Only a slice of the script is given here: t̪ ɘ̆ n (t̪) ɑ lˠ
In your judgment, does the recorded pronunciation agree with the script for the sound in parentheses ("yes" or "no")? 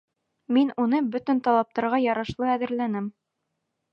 yes